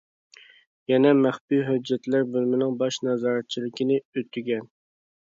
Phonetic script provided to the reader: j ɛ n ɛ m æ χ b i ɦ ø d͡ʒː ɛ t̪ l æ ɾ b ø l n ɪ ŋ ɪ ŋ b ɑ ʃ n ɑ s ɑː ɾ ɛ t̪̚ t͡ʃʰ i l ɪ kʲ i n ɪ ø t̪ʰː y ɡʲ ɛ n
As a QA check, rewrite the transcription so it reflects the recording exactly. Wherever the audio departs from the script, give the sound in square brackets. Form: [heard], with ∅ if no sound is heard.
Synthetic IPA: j ɛ n ɛ m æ χ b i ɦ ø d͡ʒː ɛ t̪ l æ ɾ b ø l [m] ɪ [n] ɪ ŋ b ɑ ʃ n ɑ [z] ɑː ɾ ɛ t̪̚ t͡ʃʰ i l ɪ kʲ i n ɪ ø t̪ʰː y ɡʲ ɛ n

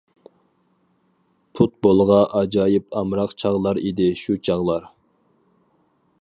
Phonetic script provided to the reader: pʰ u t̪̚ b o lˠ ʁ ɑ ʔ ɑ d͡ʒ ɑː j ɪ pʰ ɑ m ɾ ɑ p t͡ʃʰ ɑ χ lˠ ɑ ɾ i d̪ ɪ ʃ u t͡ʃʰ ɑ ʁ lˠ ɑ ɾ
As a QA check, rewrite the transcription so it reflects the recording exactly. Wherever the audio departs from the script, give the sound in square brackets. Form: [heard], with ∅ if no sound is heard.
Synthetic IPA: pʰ u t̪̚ b o lˠ ʁ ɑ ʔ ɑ d͡ʒ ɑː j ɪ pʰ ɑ m ɾ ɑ [q] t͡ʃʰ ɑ [ʁ] lˠ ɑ ɾ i d̪ ɪ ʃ u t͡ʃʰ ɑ ʁ lˠ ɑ ɾ

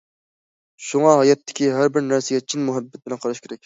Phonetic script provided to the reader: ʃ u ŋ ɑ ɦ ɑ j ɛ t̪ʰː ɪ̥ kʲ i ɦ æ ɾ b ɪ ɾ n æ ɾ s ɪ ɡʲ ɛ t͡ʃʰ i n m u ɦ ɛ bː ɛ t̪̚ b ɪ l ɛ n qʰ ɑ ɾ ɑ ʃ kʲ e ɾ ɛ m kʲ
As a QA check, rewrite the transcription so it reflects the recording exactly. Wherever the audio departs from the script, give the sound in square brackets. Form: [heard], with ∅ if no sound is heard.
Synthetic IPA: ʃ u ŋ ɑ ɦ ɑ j ɛ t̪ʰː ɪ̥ kʲ i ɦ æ ɾ b ɪ ɾ n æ ɾ s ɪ ɡʲ ɛ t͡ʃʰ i n m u ɦ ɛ bː ɛ t̪̚ b ɪ l ɛ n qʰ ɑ ɾ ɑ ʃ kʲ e ɾ ɛ [∅] kʲ

